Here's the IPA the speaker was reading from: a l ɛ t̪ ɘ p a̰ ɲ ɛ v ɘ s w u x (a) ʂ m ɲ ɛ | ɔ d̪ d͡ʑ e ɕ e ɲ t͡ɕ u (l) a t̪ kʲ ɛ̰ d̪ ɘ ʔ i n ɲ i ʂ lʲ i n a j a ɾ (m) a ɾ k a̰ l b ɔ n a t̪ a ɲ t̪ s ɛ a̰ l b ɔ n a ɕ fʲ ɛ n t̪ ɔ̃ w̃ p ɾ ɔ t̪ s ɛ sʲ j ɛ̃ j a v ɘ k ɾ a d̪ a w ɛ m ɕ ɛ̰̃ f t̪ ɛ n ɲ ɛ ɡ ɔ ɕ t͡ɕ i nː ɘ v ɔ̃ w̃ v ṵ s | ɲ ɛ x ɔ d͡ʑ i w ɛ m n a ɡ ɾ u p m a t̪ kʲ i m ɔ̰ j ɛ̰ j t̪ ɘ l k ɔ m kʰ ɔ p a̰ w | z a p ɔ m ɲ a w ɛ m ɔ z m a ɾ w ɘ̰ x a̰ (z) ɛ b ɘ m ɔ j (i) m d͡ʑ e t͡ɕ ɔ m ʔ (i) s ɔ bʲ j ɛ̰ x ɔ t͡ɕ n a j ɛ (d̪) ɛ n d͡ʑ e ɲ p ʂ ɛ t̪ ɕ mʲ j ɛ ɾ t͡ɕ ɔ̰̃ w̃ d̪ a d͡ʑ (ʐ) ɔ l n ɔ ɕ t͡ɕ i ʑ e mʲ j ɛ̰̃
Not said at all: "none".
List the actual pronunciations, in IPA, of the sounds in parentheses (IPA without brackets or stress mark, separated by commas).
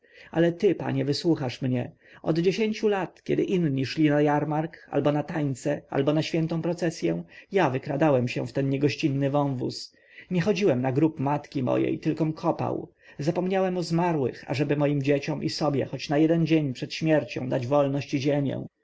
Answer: a, l, m, ʐ, i, i, d̪, v